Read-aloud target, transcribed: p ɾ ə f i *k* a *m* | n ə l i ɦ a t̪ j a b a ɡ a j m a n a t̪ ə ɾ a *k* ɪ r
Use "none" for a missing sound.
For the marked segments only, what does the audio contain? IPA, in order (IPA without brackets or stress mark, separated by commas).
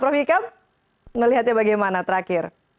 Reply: k, m, k